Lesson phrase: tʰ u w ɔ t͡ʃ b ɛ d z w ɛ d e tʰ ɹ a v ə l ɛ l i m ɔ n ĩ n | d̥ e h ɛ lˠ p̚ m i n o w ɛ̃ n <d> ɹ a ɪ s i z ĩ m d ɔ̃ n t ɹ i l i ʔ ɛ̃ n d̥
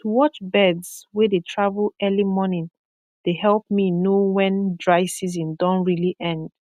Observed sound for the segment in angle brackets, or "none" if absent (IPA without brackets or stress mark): d